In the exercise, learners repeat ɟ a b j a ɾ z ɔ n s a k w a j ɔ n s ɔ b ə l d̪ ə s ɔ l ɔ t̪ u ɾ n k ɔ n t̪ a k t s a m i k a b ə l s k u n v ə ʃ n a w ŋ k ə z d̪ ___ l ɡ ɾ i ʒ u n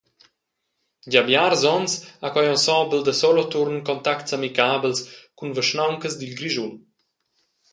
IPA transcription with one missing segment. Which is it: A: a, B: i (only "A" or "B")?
B